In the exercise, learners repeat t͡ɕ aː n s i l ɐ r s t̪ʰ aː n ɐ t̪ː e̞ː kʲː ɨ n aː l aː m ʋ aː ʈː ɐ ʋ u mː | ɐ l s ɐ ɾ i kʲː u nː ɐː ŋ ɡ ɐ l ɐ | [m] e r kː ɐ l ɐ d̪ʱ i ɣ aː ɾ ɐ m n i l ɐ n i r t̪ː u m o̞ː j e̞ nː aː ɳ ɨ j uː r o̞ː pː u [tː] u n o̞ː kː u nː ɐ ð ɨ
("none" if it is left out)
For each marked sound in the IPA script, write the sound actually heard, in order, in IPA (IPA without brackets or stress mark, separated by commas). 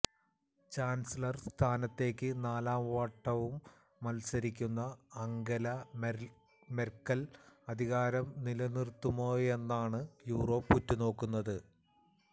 m, tː